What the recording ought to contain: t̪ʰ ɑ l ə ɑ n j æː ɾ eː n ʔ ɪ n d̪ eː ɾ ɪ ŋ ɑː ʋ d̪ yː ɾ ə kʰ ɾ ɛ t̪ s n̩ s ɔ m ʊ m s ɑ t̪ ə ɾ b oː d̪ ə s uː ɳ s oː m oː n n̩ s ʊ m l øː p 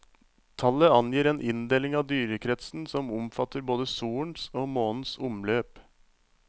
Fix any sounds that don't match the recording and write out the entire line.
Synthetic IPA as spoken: t̪ʰ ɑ l ə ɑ n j iː ɾ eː n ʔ ɪ n d̪ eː l ɪ ŋ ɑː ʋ d̪ yː ɾ ə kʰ ɾ ɛ t̪ s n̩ s ɔ m ʊ m f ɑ t̪ ə ɾ b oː d̪ ə s uː ɳ s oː m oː n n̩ s ʊ m l øː p